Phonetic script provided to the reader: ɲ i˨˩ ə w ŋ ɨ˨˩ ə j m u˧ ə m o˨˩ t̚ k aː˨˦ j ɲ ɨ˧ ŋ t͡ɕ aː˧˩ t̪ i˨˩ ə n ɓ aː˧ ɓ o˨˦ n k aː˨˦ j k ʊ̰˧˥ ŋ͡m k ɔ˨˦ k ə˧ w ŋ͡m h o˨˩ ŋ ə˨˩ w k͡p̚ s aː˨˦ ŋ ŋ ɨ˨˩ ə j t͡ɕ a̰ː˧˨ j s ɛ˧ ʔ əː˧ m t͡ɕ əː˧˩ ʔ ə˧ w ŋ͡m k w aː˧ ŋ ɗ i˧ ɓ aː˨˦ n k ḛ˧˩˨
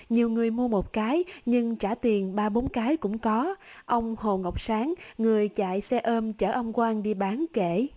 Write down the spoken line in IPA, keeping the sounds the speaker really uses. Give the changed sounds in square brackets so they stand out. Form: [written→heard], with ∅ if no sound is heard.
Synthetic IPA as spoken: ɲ i˨˩ ə w ŋ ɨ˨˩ ə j m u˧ ə m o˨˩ t̚ k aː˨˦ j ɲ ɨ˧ ŋ t͡ɕ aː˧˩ t̪ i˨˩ ə n ɓ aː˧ ɓ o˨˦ n k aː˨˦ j k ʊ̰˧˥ ŋ͡m k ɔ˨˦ [k→ʔ] ə˧ w ŋ͡m h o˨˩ ŋ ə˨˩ w k͡p̚ s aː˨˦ ŋ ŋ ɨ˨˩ ə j t͡ɕ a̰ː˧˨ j s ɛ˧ ʔ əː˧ m t͡ɕ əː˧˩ ʔ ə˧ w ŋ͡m k w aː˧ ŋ ɗ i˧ ɓ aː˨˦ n k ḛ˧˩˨